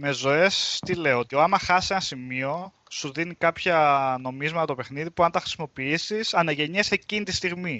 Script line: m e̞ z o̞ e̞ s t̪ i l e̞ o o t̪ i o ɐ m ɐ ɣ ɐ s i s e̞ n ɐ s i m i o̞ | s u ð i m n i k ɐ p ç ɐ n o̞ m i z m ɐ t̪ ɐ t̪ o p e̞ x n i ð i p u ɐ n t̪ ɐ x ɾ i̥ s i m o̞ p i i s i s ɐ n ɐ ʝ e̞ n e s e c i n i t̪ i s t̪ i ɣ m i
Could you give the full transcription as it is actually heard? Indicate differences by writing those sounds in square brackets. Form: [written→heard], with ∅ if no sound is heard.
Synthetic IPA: m e̞ z o̞ e̞ s t̪ i l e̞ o o t̪ i o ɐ m ɐ [ɣ→x] ɐ s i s e̞ n ɐ s i m i o̞ | s u ð i [m→∅] n i k ɐ p ç ɐ n o̞ m i z m ɐ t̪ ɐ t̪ o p e̞ x n i ð i p u ɐ n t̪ ɐ x ɾ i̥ s i m o̞ p i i s i s ɐ n ɐ ʝ e̞ [n→ɲ] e s e c i n i t̪ i s t̪ i ɣ m i